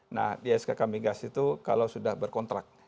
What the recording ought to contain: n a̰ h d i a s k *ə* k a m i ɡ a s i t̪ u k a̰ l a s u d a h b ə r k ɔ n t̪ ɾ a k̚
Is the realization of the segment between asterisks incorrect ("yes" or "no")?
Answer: yes